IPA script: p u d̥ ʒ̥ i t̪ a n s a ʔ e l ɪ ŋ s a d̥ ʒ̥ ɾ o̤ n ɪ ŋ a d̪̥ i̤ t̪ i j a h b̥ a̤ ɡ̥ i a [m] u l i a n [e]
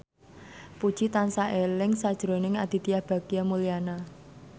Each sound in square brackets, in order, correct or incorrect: correct, incorrect

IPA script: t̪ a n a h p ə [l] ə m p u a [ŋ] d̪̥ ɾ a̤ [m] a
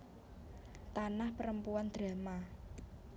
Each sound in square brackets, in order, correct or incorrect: incorrect, incorrect, correct

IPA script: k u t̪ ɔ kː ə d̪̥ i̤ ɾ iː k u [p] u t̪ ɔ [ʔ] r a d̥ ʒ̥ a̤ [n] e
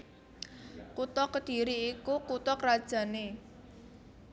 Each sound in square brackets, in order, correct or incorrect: incorrect, incorrect, correct

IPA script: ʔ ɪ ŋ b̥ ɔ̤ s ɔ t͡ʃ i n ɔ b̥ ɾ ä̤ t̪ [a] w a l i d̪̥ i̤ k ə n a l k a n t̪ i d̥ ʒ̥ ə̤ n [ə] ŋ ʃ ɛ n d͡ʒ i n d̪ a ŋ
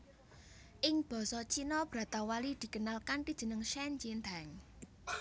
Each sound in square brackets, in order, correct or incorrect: correct, correct

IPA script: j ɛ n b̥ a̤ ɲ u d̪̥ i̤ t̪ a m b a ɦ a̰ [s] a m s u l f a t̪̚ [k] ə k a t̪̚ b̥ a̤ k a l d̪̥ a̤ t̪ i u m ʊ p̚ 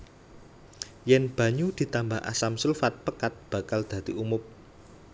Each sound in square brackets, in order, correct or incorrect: correct, incorrect

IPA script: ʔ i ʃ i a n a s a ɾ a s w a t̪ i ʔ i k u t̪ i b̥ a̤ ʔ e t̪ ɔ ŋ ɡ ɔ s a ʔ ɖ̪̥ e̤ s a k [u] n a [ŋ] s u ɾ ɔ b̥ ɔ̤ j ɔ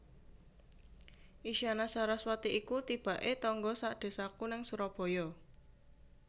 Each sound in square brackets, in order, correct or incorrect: correct, correct

